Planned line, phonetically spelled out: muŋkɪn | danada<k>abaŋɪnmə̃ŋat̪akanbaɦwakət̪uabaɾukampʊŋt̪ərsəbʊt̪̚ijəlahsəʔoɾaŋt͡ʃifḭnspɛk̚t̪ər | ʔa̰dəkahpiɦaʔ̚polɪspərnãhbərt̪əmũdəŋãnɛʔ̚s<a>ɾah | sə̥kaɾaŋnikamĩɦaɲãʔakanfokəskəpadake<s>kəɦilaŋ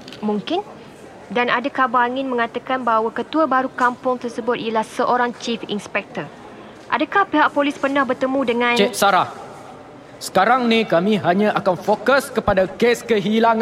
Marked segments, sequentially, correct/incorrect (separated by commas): correct, correct, correct